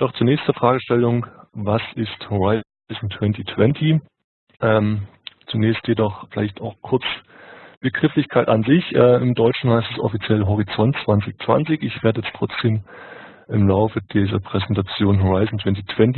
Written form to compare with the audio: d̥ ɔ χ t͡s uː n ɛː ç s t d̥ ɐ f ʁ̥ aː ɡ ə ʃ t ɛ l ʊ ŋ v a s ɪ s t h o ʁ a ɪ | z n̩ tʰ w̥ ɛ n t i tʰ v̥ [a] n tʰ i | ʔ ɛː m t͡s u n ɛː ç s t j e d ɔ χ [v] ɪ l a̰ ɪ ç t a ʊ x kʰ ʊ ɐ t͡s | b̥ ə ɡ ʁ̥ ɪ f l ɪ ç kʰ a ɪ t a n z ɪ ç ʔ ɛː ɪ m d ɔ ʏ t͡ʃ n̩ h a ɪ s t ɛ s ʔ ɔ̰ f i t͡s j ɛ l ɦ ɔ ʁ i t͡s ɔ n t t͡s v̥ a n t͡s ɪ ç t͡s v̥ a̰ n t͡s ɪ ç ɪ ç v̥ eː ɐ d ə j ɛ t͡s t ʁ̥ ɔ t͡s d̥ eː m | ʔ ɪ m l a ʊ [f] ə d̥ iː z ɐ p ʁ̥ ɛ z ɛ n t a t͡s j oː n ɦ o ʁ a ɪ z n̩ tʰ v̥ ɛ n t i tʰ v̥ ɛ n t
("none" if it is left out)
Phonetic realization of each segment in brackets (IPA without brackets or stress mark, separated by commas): ɛ, f, f